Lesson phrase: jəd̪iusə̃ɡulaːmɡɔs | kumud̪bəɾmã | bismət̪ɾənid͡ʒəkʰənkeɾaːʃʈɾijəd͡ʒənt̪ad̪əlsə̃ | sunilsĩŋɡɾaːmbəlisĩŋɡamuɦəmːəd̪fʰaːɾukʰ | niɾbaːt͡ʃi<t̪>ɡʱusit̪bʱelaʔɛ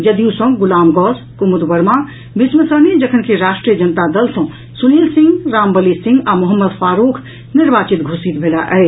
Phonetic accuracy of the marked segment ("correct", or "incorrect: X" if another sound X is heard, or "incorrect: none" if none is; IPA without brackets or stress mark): correct